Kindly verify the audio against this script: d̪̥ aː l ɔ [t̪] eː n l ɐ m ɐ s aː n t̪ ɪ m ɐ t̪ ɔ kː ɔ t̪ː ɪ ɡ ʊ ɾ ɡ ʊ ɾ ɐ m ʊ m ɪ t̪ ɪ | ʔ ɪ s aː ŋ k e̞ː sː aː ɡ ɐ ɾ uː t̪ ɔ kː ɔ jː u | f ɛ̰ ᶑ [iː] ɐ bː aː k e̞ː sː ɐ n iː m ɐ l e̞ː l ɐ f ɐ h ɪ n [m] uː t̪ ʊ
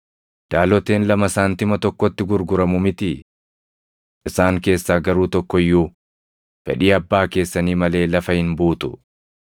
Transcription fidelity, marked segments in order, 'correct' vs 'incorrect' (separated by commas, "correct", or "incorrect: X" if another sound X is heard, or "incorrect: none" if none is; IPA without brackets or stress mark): correct, correct, incorrect: b